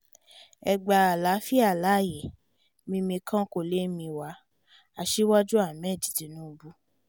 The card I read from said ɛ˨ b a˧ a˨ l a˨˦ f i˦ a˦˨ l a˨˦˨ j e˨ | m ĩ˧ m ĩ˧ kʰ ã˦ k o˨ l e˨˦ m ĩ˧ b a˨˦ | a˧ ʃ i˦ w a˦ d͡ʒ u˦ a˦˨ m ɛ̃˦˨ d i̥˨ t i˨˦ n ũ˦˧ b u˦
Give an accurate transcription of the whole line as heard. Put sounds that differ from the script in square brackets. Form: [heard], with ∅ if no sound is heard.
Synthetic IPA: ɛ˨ [ɡ͡b] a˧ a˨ l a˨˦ f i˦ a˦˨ l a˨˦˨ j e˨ | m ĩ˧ m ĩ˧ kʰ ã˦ k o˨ l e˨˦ m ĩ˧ [w] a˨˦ | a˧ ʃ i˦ w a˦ d͡ʒ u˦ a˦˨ m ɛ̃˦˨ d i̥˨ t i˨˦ n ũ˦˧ b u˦